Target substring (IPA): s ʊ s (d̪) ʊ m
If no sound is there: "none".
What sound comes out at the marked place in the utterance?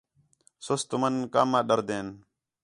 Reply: t̪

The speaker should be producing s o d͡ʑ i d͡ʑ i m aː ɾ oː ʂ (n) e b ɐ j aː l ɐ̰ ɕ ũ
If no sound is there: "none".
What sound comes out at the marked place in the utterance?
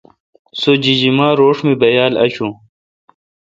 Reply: m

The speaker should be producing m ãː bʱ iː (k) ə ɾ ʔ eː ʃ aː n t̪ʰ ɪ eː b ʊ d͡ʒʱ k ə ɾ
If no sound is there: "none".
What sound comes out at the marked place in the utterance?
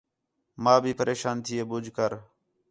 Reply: p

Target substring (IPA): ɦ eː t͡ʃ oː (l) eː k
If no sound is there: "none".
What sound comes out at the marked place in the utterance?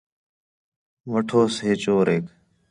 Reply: ɾ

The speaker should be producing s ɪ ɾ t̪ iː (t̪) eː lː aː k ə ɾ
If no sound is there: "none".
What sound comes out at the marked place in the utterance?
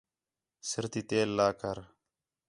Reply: t̪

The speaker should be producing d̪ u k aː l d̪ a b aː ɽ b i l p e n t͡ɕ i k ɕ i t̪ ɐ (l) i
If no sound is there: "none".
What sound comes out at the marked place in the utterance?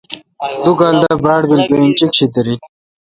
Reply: ɾ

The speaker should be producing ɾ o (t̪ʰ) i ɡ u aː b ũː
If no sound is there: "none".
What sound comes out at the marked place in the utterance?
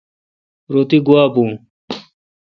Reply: t̪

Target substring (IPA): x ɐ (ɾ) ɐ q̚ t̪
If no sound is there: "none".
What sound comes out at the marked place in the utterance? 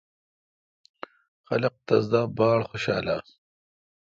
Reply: l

